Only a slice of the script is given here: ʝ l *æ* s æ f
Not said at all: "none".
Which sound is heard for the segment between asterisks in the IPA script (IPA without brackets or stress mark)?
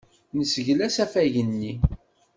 æ